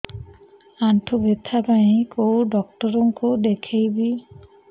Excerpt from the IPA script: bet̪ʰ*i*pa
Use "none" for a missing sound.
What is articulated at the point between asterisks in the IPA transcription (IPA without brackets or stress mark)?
a